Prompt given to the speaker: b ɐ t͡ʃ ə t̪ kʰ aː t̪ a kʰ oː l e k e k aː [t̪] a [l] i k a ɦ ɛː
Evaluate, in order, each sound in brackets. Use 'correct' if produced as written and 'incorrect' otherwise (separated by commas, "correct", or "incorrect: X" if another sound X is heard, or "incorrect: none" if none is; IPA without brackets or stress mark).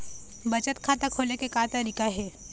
correct, incorrect: ɾ